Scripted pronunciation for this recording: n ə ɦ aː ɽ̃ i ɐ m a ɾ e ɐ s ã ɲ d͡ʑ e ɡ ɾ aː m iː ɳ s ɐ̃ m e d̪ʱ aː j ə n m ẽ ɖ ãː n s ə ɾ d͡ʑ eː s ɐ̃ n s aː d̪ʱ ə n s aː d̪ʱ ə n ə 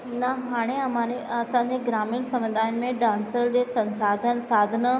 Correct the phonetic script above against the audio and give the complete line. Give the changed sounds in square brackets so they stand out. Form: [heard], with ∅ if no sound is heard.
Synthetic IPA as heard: n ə ɦ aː ɽ̃ [e] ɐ m a ɾ e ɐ s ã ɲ d͡ʑ e ɡ ɾ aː m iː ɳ s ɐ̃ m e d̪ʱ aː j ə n m ẽ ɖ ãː n s ə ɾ d͡ʑ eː s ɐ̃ n s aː d̪ʱ ə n s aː d̪ʱ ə n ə